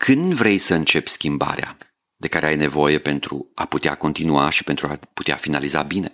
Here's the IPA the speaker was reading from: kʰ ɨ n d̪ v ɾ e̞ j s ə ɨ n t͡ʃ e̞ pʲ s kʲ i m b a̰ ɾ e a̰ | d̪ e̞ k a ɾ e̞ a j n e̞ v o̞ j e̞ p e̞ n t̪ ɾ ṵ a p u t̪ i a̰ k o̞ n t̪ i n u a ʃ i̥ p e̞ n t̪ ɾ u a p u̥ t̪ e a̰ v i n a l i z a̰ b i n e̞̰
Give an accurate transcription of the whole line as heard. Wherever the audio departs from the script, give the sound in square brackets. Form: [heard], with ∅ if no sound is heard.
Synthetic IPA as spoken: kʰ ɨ n d̪ v ɾ e̞ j s ə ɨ n t͡ʃ e̞ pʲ s kʲ i m b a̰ ɾ e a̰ | d̪ e̞ k a ɾ e̞ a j n e̞ v o̞ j e̞ p e̞ n t̪ ɾ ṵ a p u t̪ [e] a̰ k o̞ n t̪ i n u a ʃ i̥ p e̞ n t̪ ɾ u a p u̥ t̪ e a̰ [f] i n a l i z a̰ b i n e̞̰